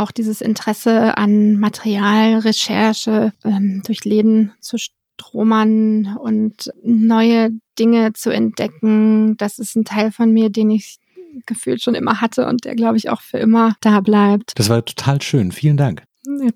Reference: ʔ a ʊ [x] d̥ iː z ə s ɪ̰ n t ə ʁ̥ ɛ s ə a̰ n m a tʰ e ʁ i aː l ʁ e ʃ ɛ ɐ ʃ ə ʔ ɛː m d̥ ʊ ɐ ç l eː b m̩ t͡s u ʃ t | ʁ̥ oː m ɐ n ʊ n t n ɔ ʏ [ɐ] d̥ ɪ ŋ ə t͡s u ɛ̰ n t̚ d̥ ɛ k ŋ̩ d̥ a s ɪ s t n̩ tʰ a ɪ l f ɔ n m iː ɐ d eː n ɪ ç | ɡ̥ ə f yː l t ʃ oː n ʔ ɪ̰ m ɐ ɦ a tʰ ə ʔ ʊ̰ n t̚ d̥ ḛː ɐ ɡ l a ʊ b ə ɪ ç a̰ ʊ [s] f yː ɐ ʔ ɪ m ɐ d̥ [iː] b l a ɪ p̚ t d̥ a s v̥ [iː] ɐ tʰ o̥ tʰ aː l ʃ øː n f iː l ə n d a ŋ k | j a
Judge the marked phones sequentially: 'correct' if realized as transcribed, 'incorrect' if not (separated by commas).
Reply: correct, incorrect, incorrect, incorrect, incorrect